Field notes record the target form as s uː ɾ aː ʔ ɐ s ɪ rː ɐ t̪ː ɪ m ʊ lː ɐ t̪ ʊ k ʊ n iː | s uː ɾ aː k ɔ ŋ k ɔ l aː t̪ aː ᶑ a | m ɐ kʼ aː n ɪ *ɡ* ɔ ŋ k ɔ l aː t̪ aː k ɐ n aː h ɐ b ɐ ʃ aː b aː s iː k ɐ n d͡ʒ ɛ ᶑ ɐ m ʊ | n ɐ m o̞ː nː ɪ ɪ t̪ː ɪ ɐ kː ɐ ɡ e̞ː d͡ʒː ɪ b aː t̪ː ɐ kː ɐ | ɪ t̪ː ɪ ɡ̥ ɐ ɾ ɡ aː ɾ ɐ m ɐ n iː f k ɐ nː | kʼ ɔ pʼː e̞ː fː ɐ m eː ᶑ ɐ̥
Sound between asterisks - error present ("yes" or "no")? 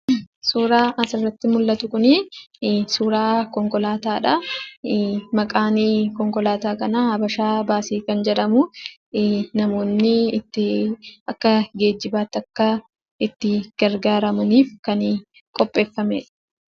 yes